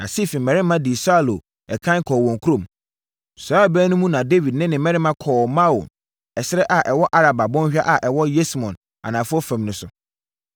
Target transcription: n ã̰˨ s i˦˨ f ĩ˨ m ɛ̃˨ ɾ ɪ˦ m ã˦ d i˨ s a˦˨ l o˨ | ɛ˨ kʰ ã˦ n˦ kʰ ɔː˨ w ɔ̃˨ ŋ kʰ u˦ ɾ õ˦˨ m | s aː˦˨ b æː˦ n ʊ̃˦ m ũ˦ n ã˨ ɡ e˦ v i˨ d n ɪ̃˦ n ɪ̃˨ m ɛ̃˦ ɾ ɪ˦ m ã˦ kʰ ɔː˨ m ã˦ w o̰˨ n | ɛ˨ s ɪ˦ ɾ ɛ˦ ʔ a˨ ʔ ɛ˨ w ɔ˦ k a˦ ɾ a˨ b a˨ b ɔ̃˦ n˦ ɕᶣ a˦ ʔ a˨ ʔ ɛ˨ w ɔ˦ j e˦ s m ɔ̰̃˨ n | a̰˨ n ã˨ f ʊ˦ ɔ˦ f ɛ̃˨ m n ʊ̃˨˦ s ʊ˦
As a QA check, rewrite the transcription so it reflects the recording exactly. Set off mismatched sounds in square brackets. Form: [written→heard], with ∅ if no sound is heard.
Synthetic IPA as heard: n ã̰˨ s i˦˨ f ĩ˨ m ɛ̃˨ ɾ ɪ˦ m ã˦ d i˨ s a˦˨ l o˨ | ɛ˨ kʰ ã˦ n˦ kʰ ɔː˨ w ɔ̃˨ ŋ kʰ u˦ ɾ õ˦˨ m | s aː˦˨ b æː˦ n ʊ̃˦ m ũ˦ n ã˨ [ɡ→d] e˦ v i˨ d n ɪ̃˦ n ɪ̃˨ m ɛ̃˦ ɾ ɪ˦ m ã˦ kʰ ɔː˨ m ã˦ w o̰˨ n | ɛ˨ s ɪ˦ ɾ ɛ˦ ʔ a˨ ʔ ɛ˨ w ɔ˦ [k→ʔ] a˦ ɾ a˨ b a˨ b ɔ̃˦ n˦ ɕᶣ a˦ ʔ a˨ ʔ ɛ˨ w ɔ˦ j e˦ s m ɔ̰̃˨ n | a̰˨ n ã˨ f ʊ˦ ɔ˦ f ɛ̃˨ m n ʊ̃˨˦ s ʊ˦